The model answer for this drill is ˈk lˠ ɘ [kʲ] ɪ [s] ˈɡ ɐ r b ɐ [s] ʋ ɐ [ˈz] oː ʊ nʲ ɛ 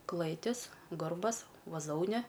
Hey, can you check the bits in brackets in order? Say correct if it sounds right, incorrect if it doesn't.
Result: incorrect: tʲ, correct, correct, correct

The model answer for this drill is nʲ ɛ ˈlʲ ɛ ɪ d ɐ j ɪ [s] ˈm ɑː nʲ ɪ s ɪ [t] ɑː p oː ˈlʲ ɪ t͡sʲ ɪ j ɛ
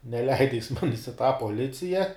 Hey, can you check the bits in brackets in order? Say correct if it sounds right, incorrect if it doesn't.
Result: correct, correct

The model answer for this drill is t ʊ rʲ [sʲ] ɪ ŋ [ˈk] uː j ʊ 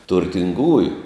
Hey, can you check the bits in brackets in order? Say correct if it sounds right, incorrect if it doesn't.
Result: incorrect: tʲ, incorrect: ɡ

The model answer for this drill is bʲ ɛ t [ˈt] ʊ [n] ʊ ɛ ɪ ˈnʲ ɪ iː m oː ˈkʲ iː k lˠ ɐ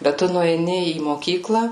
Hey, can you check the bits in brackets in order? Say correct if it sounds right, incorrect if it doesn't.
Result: correct, correct

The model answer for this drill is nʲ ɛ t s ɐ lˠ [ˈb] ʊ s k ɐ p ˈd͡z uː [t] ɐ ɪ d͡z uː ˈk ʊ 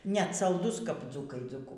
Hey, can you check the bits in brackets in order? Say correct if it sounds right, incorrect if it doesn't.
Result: incorrect: d, incorrect: k

